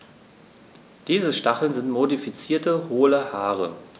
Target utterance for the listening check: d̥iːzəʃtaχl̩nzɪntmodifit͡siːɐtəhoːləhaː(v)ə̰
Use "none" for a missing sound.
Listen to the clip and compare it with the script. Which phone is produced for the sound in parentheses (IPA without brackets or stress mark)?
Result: ʁ